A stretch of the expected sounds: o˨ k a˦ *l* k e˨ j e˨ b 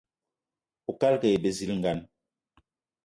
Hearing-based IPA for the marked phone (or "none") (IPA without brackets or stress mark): l